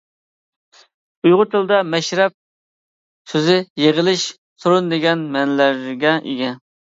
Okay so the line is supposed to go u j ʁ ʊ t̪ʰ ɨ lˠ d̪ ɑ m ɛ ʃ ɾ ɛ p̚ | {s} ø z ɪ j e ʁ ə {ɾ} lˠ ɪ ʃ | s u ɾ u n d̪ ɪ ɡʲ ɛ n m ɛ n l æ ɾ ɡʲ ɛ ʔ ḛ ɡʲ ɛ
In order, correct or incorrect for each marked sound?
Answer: correct, incorrect

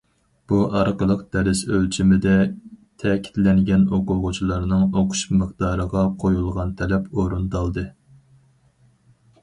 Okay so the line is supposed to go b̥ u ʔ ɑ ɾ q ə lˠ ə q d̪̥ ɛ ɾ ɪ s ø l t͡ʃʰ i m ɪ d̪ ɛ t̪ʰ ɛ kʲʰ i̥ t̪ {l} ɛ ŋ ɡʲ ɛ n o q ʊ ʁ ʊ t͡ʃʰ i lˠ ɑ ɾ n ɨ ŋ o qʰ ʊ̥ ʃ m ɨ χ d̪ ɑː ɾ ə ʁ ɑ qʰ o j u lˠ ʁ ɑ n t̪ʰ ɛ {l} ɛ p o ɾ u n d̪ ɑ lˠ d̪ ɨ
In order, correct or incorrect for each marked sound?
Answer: correct, correct

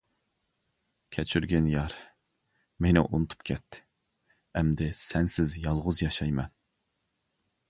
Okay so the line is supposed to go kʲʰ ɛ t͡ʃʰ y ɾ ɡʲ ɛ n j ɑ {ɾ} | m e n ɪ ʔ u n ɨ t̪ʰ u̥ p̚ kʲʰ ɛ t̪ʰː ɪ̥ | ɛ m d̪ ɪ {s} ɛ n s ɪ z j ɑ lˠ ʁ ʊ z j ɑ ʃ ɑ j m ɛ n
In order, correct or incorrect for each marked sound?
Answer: correct, correct

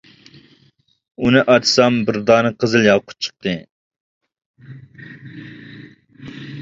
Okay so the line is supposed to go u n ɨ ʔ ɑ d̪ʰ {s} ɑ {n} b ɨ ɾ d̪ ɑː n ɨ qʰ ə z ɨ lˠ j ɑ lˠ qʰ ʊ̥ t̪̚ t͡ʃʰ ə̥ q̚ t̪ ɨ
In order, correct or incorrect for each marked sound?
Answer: correct, incorrect

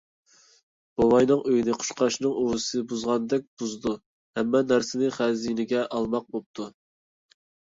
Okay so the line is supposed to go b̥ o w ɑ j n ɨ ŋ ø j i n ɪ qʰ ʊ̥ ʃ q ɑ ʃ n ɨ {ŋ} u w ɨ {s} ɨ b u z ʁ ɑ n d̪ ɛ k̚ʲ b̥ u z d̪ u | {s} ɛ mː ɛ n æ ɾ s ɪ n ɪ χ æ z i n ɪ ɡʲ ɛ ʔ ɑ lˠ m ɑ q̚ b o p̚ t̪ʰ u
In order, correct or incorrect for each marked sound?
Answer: correct, correct, incorrect

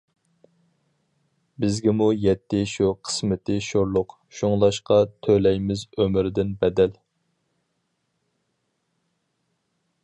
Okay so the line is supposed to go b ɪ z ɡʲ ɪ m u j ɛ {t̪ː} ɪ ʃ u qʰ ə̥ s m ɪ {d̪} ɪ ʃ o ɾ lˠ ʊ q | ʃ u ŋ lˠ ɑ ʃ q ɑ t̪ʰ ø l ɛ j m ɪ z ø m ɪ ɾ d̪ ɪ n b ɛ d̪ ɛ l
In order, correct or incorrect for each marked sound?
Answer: correct, incorrect

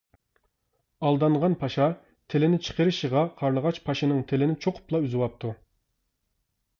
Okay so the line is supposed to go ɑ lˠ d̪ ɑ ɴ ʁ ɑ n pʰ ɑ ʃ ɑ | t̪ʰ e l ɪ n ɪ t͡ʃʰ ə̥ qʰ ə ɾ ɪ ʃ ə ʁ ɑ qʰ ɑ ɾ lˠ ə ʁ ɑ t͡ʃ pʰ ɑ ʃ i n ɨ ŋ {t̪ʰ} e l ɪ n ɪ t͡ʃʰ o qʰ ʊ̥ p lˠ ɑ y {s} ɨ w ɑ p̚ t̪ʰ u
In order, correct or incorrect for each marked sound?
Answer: correct, incorrect

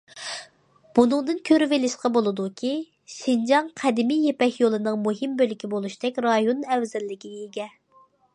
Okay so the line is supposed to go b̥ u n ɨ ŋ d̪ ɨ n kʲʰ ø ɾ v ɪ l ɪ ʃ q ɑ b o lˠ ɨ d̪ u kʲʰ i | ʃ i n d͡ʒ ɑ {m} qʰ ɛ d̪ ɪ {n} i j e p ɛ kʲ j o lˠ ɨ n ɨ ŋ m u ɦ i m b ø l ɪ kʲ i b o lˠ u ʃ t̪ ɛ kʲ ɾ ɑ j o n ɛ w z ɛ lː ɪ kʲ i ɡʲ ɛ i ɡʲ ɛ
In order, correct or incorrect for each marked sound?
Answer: incorrect, incorrect

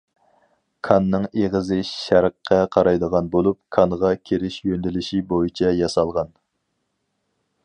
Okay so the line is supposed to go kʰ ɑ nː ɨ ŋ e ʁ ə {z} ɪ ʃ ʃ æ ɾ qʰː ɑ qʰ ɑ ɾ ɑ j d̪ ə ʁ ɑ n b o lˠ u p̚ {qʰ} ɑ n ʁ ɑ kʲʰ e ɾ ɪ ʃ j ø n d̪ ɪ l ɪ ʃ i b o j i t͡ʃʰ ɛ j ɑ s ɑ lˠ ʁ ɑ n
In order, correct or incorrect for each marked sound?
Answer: correct, incorrect

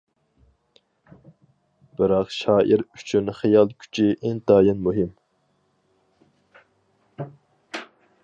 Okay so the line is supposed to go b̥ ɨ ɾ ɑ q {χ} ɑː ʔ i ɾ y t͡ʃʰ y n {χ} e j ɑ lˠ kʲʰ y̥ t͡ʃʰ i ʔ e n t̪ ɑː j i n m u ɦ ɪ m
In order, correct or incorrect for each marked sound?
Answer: incorrect, correct

